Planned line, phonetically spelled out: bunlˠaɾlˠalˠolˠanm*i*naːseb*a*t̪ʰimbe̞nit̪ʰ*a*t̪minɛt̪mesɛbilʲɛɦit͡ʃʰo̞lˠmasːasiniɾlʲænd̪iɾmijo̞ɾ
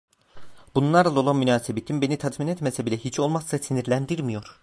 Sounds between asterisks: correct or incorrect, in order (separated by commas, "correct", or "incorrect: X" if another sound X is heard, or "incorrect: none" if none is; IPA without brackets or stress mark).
incorrect: y, incorrect: e, correct